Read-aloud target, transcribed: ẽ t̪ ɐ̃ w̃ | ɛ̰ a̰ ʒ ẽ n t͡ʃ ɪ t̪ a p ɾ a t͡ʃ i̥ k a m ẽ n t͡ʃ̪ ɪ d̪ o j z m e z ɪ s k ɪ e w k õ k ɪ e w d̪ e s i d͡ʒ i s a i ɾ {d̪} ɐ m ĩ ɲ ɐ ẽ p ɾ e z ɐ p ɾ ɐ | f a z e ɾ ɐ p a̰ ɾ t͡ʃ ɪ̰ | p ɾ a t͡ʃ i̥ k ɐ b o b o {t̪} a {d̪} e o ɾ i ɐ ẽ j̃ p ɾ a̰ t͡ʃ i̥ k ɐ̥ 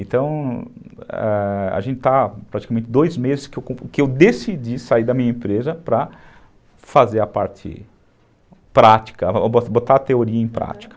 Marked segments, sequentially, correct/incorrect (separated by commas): correct, correct, incorrect